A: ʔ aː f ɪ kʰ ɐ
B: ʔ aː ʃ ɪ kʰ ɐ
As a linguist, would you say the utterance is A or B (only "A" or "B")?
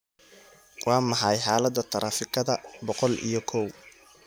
A